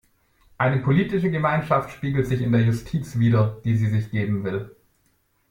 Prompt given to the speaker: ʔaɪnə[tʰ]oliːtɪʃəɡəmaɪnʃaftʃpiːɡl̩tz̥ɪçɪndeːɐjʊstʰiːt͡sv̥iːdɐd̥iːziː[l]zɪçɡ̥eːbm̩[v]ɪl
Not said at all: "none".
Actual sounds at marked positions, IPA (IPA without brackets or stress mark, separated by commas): pʰ, none, v